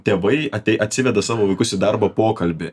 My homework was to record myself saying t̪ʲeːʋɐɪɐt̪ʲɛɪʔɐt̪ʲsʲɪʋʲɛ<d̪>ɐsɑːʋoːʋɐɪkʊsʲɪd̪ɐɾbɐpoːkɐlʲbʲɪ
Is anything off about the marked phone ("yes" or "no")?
no